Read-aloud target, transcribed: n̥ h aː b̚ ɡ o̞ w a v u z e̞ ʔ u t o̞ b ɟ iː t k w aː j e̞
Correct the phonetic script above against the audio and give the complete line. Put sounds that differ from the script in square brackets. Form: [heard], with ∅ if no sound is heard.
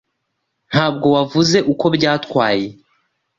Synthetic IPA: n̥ h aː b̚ ɡ o̞ w a v u z e̞ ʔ u [k] o̞ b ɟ [aː] t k w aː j e̞